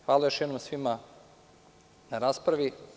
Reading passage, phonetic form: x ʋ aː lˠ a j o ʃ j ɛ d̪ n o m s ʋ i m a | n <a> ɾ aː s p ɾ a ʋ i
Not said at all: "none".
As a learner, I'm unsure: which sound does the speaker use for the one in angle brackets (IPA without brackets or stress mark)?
a